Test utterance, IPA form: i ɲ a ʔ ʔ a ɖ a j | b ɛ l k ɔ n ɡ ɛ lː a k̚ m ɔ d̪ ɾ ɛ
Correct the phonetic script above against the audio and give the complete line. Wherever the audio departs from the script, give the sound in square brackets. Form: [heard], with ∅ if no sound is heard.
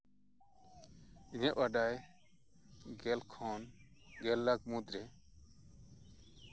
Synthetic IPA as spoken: i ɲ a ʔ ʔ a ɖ a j | [ɡ] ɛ l [kʰ] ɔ n ɡ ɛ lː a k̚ m [u] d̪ ɾ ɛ

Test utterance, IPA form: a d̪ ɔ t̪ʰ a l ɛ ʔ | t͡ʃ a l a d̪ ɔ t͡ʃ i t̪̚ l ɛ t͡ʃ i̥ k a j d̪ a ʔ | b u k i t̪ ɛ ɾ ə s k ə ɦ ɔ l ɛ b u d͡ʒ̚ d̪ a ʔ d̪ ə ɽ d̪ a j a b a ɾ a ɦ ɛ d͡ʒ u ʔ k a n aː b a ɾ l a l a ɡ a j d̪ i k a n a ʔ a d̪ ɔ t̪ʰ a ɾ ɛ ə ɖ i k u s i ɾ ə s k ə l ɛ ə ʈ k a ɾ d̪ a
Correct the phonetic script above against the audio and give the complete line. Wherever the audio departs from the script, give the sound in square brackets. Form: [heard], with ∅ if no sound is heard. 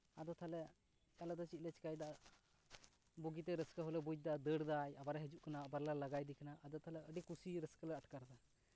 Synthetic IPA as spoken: a d̪ ɔ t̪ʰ a l ɛ [∅] | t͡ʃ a l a d̪ ɔ t͡ʃ i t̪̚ l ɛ t͡ʃ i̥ k a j d̪ a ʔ | b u [ɡ] i t̪ ɛ ɾ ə s k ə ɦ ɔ l ɛ b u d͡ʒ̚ d̪ a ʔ d̪ ə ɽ d̪ a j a b a ɾ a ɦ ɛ d͡ʒ u ʔ k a n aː b a ɾ l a l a ɡ a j d̪ i k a n a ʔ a d̪ ɔ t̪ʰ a [l] ɛ ə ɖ i k u s i ɾ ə s k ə l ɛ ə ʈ k a ɾ d̪ a

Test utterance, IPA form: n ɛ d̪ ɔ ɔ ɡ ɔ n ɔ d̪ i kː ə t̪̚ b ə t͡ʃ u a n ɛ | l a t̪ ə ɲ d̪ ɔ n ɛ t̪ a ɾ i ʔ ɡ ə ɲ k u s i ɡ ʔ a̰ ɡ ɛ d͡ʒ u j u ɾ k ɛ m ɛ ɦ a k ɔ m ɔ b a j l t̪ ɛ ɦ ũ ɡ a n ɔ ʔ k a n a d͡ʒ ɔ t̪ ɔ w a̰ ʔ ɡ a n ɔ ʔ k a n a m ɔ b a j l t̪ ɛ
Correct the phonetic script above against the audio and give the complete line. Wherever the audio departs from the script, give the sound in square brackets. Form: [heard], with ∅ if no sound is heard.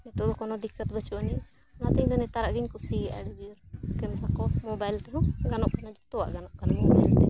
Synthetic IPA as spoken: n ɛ [t̪] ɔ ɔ [k] ɔ n ɔ d̪ i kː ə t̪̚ b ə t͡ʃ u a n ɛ | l a t̪ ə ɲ d̪ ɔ n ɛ t̪ a ɾ [a] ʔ ɡ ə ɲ k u s i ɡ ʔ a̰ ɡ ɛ d͡ʒ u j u ɾ k ɛ m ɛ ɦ a k ɔ m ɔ b a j l t̪ ɛ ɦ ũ ɡ a n ɔ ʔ k a n a d͡ʒ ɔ t̪ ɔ w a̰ ʔ ɡ a n ɔ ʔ k a n a m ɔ b a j l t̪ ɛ

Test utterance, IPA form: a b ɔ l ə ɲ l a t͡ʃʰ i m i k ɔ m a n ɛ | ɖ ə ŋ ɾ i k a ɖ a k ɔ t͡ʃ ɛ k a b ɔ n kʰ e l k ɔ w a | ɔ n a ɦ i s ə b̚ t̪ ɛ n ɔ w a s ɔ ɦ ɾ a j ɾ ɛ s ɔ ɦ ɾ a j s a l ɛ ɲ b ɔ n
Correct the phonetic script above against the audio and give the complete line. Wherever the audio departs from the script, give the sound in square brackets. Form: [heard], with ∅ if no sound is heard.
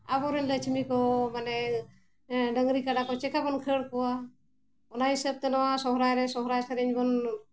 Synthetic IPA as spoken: a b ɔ [ɾ] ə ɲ l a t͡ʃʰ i m i k ɔ m a n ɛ | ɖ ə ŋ ɾ i k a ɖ a k ɔ t͡ʃ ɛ k a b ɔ n kʰ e [ɽ] k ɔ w a | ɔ n a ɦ i s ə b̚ t̪ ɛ n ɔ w a s ɔ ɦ ɾ a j ɾ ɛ s ɔ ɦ ɾ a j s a [ɾ] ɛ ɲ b ɔ n

